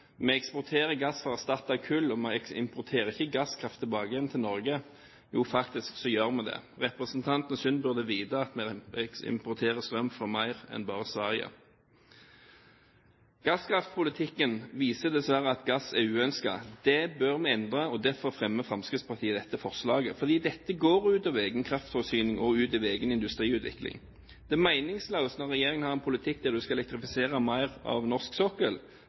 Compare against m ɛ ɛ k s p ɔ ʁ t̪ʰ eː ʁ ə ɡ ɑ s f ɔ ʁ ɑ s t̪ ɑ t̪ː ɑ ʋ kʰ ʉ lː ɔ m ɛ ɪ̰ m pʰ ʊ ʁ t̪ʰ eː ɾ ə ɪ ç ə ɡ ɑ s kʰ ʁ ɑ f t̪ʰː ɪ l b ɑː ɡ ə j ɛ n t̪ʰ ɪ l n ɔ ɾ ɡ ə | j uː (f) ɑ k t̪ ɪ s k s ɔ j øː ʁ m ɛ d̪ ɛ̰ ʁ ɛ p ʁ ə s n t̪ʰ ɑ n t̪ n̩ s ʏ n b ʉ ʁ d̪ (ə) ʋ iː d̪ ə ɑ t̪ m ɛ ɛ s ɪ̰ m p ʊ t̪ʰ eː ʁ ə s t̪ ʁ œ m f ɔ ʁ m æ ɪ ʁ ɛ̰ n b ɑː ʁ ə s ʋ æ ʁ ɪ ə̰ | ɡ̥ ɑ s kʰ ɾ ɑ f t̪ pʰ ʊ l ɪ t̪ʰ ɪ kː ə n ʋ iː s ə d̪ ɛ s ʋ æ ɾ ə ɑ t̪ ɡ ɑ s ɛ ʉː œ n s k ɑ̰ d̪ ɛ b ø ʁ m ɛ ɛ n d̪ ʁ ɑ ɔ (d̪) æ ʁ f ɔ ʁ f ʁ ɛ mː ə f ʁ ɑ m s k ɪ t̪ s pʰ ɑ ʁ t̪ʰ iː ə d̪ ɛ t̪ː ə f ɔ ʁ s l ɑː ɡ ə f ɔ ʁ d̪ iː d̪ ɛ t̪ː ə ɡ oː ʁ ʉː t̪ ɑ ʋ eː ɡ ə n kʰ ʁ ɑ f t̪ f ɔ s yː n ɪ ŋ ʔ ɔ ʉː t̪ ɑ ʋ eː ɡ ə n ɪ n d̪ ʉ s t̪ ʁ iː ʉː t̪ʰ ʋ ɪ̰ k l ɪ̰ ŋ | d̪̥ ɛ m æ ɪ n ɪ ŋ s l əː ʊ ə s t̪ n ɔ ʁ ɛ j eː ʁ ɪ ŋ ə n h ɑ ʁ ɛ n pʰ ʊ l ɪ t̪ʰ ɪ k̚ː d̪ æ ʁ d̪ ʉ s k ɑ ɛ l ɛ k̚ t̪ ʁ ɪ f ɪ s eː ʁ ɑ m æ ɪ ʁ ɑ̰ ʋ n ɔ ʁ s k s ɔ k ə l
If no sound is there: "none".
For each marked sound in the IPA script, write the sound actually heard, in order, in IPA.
f, ə, d̪

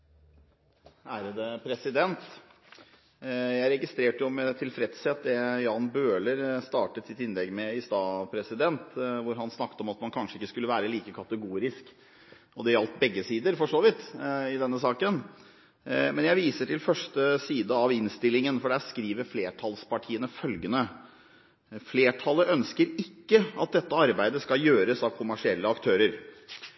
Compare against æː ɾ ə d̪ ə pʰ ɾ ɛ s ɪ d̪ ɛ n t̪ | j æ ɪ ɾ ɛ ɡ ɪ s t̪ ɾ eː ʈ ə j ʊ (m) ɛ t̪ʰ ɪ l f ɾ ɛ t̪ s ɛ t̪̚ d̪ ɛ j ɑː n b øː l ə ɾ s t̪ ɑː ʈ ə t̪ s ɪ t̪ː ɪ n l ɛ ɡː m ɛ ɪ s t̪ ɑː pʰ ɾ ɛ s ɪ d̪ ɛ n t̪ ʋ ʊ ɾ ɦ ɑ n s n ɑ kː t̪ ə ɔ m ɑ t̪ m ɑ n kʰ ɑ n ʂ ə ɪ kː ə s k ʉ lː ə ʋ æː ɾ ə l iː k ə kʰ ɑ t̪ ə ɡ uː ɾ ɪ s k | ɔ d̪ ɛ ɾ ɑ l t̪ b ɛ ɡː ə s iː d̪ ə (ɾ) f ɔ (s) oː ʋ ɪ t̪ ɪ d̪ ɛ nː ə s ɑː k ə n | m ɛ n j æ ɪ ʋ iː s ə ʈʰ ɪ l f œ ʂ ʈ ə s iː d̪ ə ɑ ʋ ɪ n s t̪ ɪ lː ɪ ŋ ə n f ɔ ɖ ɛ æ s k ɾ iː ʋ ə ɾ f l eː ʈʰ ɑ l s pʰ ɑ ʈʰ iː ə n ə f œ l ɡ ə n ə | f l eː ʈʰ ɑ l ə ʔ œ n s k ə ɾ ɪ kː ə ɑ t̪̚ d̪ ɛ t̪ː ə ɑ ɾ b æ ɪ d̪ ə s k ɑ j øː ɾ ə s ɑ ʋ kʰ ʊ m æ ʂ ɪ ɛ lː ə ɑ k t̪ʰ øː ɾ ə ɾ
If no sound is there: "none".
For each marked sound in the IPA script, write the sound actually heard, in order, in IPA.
m, ɾ, ʂ

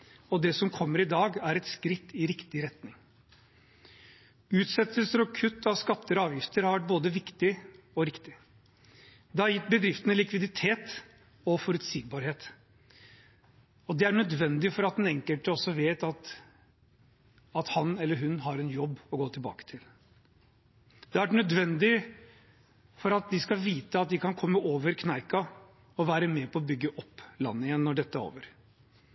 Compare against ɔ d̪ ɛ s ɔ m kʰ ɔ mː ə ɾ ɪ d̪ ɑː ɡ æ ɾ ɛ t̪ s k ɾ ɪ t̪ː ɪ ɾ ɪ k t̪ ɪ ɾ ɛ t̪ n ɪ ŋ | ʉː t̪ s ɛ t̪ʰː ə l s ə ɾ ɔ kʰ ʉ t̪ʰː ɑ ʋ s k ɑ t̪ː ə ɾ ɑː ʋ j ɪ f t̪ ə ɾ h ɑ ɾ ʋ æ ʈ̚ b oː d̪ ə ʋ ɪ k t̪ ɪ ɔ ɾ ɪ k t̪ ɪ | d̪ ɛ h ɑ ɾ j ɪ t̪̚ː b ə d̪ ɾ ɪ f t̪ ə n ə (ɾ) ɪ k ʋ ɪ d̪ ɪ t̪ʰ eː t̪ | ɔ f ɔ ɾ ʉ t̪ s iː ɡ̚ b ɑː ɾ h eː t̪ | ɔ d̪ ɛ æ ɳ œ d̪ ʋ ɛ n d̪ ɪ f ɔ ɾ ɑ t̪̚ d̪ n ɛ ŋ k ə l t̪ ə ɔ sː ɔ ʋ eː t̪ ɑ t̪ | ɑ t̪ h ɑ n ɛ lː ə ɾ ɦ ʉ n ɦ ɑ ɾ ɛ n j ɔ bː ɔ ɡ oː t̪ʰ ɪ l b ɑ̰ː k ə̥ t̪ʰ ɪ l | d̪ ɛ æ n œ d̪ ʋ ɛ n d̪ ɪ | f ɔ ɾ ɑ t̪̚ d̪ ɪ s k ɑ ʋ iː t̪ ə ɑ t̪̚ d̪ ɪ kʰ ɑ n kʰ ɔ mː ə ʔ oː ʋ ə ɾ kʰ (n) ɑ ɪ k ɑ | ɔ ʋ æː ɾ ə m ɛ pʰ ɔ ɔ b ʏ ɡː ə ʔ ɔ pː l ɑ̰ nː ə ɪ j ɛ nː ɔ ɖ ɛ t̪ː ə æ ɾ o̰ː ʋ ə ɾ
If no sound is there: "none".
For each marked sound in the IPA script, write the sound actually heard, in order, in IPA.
l, n

